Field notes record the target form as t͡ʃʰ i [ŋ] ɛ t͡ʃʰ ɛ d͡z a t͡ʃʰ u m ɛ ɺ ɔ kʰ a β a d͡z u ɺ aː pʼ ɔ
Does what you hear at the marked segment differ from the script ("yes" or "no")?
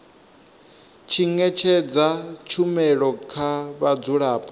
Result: no